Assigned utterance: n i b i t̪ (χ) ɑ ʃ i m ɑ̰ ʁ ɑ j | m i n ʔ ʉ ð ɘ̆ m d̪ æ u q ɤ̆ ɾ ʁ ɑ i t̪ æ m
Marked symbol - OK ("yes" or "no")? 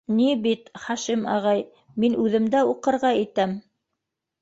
yes